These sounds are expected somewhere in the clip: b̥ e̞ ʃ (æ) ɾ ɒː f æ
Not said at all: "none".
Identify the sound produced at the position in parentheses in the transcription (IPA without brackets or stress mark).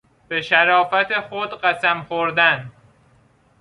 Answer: æ